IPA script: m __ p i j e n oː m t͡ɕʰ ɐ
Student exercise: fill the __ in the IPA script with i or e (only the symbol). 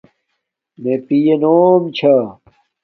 e